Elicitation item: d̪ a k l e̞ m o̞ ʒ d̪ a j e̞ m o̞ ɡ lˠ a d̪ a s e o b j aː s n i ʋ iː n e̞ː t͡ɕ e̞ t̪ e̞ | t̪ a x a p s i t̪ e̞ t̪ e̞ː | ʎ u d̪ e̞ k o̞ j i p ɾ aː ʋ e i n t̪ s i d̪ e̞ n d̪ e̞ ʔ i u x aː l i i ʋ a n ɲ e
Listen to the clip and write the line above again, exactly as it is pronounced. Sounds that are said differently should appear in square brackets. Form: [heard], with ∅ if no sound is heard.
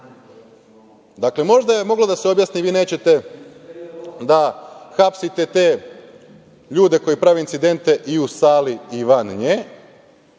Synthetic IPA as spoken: d̪ a k l e̞ m o̞ ʒ d̪ a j e̞ m o̞ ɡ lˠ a d̪ a s e o b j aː s n i ʋ iː n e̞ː t͡ɕ e̞ t̪ e̞ | [d̪] a x a p s i t̪ e̞ t̪ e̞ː | ʎ [uː] d̪ e̞ k o̞ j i p ɾ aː ʋ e i n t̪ s i d̪ e̞ n [t̪] e̞ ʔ i u [s] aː l i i ʋ a n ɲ e